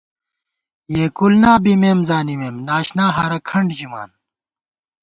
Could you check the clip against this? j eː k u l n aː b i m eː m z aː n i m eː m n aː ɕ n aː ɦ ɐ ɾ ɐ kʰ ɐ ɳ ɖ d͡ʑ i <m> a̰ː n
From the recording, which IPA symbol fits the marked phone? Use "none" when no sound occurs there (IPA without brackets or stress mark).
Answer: m